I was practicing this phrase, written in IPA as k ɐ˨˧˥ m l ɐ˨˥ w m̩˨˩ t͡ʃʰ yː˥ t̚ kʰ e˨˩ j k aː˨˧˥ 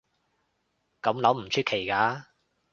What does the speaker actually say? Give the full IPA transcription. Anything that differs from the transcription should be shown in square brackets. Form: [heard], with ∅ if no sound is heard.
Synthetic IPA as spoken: k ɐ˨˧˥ m l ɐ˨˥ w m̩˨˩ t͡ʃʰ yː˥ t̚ kʰ e˨˩ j k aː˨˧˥